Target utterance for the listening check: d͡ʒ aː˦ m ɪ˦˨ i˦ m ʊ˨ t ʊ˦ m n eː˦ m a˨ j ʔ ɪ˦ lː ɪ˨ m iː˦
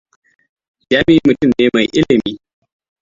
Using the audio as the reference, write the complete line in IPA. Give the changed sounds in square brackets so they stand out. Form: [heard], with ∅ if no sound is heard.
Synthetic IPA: d͡ʒ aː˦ m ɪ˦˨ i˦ m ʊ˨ t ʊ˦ m n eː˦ m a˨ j ʔ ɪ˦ [l] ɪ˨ m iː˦